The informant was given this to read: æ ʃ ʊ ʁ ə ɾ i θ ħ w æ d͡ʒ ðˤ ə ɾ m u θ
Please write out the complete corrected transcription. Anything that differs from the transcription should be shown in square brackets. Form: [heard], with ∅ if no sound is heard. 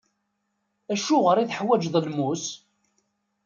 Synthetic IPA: æ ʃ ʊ ʁ ə ɾ i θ ħ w æ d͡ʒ ðˤ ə [l] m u [s]